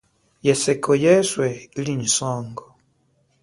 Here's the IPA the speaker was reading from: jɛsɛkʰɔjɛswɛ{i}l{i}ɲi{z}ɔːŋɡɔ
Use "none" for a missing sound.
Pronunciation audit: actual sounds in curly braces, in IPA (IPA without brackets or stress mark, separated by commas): i, i, s